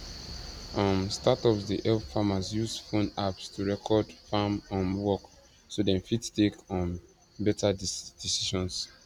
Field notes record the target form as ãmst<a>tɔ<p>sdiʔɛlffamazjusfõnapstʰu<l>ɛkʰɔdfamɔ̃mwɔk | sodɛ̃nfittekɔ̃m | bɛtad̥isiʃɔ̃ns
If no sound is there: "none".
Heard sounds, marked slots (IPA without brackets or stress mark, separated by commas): a, p, ɹ